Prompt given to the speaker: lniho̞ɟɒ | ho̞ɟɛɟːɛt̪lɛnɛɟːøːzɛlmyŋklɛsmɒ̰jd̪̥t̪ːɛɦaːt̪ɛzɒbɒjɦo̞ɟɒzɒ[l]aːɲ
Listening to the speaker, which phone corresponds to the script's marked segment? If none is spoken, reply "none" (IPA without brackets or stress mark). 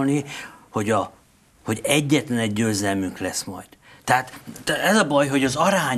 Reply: ɾ